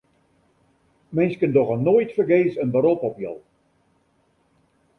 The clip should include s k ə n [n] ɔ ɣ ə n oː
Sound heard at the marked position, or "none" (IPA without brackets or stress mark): d